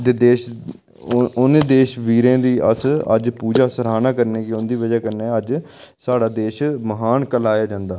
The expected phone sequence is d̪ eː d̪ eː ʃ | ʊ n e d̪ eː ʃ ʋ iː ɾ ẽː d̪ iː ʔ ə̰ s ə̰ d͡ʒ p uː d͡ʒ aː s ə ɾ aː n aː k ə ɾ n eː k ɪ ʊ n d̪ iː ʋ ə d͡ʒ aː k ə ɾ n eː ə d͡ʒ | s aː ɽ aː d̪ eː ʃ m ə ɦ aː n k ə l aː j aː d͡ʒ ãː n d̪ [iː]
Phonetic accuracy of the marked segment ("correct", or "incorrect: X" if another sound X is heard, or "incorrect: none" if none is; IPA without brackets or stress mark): incorrect: aː